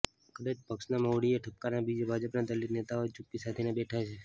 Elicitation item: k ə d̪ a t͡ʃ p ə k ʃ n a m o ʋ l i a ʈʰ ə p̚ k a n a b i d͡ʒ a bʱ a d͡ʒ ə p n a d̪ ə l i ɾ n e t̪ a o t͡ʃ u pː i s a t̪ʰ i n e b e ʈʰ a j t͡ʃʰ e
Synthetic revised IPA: k ə d̪ a t͡ʃ p ə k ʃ n a m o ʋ ɽ i e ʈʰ ə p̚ k a n a b i d͡ʒ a bʱ a d͡ʒ ə p n a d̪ ə l i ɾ n e t̪ a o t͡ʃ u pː i s a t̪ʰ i n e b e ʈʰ a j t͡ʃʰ e